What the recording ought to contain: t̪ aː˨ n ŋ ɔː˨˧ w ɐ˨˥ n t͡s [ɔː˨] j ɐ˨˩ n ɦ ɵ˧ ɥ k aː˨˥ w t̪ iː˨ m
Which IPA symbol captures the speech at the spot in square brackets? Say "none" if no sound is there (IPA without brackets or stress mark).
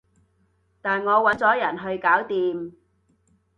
ɔː˨˥